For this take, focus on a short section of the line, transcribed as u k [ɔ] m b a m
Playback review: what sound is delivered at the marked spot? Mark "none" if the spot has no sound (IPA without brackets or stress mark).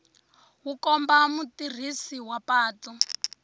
ɔ